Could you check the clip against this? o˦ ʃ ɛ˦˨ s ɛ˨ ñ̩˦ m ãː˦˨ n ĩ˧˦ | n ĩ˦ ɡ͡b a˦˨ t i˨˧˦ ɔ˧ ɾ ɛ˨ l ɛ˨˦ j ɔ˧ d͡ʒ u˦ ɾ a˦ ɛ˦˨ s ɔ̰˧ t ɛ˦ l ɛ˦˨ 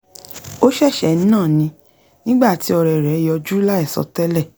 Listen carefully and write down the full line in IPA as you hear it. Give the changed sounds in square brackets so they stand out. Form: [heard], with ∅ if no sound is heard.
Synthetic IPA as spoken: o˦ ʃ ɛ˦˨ [ʃ] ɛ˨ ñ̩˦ [n] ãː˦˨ n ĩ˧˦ | n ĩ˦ ɡ͡b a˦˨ t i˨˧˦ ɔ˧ ɾ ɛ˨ [ɾ] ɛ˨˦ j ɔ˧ d͡ʒ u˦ [l] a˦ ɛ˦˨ s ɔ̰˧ t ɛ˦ l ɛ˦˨